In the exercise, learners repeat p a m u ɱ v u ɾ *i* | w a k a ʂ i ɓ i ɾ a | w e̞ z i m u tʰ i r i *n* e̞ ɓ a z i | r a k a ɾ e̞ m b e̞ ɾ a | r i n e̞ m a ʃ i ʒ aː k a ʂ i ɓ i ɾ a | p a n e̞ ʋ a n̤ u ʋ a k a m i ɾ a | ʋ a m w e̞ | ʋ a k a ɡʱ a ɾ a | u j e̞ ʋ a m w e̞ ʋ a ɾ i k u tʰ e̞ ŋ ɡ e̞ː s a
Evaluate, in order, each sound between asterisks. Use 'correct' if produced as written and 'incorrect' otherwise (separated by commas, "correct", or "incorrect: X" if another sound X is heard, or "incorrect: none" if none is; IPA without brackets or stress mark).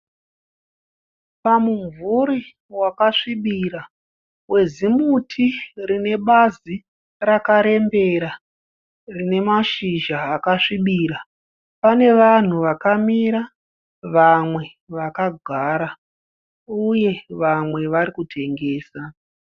correct, correct